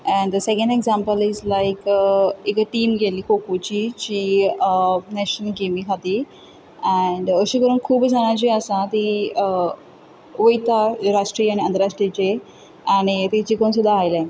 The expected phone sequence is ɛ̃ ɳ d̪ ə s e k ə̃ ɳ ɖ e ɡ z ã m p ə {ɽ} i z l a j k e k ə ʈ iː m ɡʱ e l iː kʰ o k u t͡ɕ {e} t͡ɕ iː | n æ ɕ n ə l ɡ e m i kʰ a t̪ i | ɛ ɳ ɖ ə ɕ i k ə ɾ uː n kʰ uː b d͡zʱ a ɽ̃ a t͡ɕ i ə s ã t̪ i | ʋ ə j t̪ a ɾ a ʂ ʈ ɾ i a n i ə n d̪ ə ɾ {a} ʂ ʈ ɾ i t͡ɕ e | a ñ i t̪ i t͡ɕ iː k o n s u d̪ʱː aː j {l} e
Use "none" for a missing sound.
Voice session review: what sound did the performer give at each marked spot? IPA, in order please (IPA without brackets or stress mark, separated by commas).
l, i, a, l